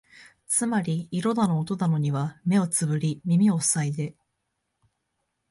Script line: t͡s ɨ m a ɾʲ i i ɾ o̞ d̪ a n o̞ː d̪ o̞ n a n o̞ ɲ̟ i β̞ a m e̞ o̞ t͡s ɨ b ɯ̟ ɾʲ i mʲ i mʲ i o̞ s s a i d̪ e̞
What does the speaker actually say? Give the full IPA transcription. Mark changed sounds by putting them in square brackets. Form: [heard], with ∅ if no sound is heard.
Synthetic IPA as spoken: t͡s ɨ m a ɾʲ i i ɾ o̞ d̪ a n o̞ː [t̪] o̞ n a n o̞ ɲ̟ i β̞ a m e̞ o̞ t͡s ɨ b ɯ̟ ɾʲ i mʲ i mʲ i o̞ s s a i d̪ e̞